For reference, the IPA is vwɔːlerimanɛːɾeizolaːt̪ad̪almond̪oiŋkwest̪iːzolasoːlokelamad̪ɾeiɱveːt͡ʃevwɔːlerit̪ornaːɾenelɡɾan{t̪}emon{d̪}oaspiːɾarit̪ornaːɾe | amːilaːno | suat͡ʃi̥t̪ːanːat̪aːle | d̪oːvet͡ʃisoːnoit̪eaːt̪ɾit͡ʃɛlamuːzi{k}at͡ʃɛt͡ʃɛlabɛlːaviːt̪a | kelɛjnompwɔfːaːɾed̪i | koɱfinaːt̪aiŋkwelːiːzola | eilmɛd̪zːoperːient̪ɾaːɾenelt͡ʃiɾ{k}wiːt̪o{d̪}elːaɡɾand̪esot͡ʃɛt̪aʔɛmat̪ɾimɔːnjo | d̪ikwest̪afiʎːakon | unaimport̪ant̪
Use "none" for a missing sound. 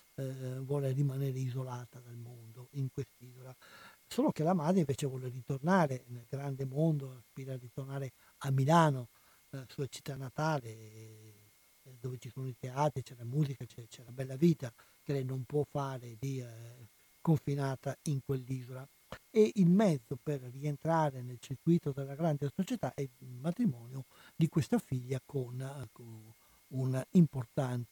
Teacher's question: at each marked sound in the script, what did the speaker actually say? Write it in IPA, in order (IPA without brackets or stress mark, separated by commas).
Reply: d̪, d̪, k, k, d̪